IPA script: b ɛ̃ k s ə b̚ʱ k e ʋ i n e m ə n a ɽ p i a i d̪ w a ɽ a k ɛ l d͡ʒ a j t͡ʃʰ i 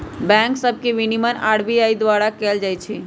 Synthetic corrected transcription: b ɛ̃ k s ə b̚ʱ k e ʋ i n i m ə n a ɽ b i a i d̪ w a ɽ a k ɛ l d͡ʒ a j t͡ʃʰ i

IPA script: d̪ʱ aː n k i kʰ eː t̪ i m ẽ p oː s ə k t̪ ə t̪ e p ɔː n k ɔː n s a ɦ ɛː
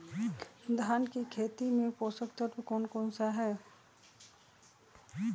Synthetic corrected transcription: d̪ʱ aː n k i kʰ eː t̪ i m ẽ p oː s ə k t̪ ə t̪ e k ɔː n k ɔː n s a ɦ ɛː

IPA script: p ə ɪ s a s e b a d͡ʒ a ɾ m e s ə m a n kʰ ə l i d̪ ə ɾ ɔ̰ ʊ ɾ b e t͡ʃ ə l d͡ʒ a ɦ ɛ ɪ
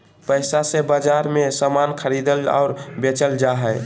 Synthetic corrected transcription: p ə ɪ s a s e b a d͡ʒ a ɾ m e s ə m a n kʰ ə ɾ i d̪ ə l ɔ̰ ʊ ɾ b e t͡ʃ ə l d͡ʒ a ɦ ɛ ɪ

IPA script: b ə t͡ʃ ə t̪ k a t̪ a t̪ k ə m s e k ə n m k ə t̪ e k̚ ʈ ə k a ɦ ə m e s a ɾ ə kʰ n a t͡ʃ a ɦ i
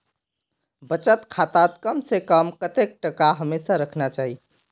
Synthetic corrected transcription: b ə t͡ʃ ə t̪ kʰ a t̪ a t̪ k ə m s e k ə m k ə t̪ e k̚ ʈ ə k a ɦ ə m e s a ɾ ə kʰ n a t͡ʃ a ɦ i

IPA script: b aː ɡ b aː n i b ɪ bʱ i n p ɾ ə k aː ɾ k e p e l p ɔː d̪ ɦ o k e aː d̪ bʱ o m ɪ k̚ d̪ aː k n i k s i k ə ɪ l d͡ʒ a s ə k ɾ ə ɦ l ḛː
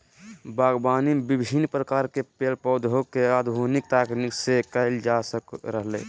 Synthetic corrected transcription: b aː ɡ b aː n i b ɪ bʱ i n p ɾ ə k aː ɾ k e p e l p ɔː d̪ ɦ o k e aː d̪ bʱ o n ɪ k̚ t̪ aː k n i k s e k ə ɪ l d͡ʒ a s ə k ɾ ə ɦ l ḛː

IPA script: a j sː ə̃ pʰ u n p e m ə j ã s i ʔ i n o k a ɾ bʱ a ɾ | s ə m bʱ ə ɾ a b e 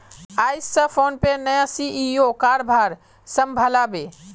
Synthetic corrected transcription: a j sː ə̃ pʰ o n p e n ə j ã s i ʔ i o k a ɾ bʱ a ɾ | s ə m bʱ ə l a b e

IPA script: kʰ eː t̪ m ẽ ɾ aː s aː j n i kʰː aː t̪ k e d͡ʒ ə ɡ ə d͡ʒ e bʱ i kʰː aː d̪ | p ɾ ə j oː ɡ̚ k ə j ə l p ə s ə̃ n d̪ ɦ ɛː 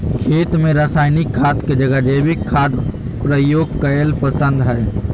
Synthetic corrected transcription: kʰ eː t̪ m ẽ ɾ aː s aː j n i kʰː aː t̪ k e d͡ʒ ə ɡ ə d͡ʒ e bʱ i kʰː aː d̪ | p ɾ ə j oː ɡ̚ k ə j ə l p ə s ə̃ n d̪ ɦ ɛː

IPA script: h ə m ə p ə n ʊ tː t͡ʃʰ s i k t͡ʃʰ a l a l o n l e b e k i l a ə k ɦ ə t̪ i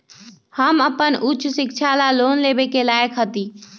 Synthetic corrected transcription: h ə m ə p ə n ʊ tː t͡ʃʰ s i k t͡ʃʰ a l a l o n l e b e k e l a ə k ɦ ə t̪ i

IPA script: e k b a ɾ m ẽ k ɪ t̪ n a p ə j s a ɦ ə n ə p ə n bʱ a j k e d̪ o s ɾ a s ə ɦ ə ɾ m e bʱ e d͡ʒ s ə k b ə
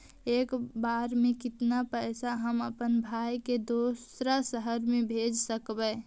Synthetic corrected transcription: e k b a ɾ m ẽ k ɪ t̪ n a p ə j s a ɦ ə m ə p ə n bʱ a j k e d̪ o s ɾ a s ə ɦ ə ɾ m e bʱ e d͡ʒ s ə k b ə

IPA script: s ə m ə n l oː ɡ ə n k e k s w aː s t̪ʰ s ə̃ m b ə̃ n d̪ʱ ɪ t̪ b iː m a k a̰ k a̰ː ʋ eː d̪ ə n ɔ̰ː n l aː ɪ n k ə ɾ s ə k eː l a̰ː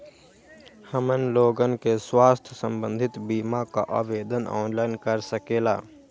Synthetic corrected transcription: h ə m ə n l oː ɡ ə n k e s w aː s t̪ʰ s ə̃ m b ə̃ n d̪ʱ ɪ t̪ b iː m a k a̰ ʔ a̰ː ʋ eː d̪ ə n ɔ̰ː n l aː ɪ n k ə ɾ s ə k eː l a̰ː

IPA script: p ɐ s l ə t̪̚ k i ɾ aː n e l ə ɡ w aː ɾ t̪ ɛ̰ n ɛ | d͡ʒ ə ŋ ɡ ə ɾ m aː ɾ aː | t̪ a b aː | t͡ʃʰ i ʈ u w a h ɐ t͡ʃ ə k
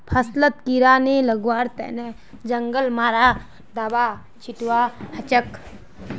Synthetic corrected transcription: pʰ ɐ s l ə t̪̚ k i ɾ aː n e l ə ɡ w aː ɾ t̪ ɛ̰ n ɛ | d͡ʒ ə ŋ ɡ ə l m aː ɾ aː | d̪ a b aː | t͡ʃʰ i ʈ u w a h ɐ t͡ʃ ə k

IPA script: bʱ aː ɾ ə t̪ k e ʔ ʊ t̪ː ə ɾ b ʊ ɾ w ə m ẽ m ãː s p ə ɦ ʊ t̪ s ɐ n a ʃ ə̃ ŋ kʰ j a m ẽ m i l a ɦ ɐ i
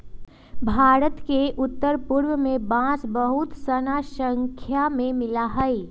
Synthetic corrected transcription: bʱ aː ɾ ə t̪ k e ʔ ʊ t̪ː ə ɾ p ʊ ɾ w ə m ẽ b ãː s b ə ɦ ʊ t̪ s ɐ n a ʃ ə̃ ŋ kʰ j a m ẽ m ɪ l a ɦ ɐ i

